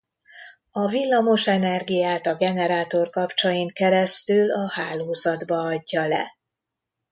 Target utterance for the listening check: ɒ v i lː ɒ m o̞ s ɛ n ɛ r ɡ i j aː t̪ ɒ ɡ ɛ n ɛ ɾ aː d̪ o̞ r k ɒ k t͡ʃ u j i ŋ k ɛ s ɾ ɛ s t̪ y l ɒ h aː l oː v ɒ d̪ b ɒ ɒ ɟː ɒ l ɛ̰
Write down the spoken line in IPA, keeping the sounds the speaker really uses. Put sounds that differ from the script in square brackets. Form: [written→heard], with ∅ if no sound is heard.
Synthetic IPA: ɒ v i lː ɒ m o̞ [s→ʃ] ɛ n ɛ r ɡ i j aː t̪ ɒ ɡ ɛ n ɛ ɾ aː [d̪→t̪] o̞ r k ɒ [k→p] t͡ʃ [u→ɒ] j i ŋ k ɛ [s→∅] ɾ ɛ s t̪ y l ɒ h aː l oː [v→z] ɒ d̪ b ɒ ɒ ɟː ɒ l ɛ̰